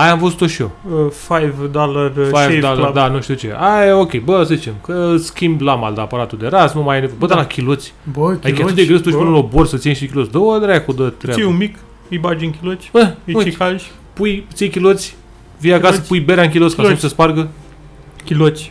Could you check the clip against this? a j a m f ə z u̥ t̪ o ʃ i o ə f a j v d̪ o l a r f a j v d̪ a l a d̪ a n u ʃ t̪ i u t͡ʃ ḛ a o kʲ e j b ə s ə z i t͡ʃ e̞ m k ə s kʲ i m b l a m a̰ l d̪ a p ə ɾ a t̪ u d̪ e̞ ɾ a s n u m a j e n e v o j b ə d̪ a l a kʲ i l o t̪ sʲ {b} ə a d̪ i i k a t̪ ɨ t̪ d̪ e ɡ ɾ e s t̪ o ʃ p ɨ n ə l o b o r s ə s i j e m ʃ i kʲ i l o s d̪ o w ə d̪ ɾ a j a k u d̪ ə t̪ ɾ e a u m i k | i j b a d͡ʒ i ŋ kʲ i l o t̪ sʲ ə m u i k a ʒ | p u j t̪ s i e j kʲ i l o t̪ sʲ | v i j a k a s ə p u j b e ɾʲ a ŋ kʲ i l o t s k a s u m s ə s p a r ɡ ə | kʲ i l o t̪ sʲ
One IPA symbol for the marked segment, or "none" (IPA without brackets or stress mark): b